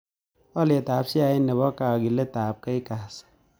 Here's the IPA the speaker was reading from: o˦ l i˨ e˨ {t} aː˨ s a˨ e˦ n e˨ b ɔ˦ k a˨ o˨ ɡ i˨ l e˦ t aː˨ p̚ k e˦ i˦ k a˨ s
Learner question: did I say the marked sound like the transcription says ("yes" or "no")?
yes